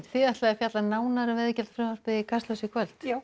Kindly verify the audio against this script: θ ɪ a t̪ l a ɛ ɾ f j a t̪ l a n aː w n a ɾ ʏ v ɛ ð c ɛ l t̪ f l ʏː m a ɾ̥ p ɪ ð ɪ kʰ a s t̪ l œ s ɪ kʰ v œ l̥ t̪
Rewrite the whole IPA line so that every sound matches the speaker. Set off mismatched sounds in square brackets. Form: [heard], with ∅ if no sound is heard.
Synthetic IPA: θ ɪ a t̪ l a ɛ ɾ f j a t̪ l a n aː w n a ɾ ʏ v ɛ ð c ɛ l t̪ f [ɾ] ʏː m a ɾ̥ p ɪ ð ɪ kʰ a s t̪ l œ s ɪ kʰ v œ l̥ t̪